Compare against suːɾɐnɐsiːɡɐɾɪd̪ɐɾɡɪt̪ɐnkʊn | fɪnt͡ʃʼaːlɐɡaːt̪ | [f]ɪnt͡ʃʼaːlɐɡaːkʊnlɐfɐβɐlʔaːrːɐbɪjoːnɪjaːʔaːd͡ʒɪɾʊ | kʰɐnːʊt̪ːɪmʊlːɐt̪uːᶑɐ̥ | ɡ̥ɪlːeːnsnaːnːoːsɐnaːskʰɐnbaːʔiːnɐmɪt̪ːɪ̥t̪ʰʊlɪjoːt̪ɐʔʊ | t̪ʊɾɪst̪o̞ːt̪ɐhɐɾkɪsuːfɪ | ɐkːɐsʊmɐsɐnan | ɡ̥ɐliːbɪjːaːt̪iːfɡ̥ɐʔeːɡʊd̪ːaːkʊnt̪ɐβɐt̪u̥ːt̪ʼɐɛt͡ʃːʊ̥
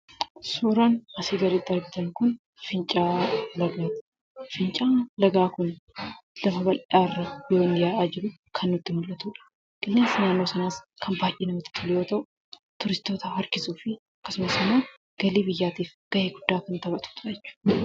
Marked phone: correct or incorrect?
correct